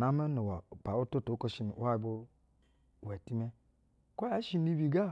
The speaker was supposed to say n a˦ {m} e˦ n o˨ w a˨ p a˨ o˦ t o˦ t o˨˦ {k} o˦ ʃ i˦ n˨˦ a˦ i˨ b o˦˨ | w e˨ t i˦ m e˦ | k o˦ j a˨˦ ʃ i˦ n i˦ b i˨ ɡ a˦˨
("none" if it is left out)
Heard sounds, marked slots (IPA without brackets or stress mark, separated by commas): m, k